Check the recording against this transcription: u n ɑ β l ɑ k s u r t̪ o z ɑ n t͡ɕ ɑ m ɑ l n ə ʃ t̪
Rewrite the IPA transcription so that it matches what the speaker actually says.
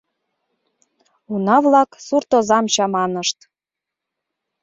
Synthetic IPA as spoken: u n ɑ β l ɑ k s u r t̪ o z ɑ m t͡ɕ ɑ m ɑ n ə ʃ t̪